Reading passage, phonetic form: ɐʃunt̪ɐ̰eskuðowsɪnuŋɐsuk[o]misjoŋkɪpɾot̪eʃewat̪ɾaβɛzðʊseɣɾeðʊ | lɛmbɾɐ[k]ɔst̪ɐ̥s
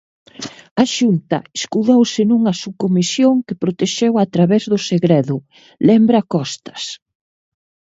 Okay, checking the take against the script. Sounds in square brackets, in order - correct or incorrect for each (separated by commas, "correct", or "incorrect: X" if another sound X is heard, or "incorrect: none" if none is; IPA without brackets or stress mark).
correct, correct